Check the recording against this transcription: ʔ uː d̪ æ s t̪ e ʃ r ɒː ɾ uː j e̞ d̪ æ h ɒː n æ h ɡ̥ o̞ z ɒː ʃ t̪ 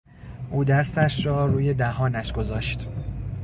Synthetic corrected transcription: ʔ uː d̪ æ s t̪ æ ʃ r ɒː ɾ uː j e̞ d̪ æ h ɒː n æ ʃ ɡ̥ o̞ z ɒː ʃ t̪